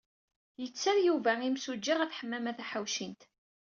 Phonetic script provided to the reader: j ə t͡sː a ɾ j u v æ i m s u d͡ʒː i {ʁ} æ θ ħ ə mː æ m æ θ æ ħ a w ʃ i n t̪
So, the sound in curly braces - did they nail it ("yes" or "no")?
yes